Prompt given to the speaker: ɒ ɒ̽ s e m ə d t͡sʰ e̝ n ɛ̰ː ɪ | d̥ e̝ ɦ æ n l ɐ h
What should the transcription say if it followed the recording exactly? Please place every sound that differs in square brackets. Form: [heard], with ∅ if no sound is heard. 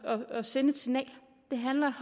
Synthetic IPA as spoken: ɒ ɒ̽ s e [n] ə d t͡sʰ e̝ n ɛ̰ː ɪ | d̥ e̝ ɦ æ n l ɐ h